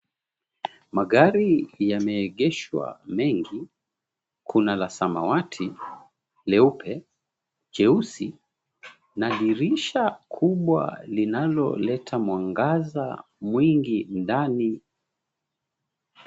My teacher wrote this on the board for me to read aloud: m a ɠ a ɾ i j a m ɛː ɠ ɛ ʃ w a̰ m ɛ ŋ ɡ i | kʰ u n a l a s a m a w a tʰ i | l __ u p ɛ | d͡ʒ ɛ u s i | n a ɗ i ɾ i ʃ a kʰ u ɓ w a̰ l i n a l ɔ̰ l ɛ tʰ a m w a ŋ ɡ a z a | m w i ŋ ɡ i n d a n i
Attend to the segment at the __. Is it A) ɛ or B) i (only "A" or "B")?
A